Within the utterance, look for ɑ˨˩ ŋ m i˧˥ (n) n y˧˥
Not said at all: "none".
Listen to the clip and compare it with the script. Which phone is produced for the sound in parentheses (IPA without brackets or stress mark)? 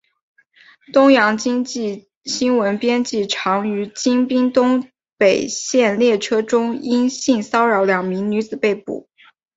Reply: ŋ